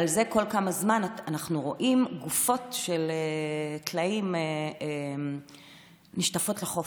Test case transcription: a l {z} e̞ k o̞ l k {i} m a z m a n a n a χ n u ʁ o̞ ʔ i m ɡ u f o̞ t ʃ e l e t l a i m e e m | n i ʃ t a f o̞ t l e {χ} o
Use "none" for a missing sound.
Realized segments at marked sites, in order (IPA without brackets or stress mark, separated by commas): z, a, χ